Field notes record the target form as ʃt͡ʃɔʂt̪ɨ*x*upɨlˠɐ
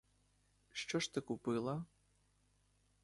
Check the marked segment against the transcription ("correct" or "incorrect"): incorrect